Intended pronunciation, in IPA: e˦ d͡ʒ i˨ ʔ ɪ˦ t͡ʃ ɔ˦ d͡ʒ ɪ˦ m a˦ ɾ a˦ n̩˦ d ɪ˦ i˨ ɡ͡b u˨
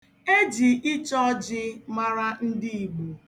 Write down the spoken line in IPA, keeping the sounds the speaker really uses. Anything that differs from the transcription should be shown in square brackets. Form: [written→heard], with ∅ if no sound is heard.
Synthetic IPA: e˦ d͡ʒ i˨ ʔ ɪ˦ t͡ʃ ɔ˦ d͡ʒ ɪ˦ m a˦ ɾ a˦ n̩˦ d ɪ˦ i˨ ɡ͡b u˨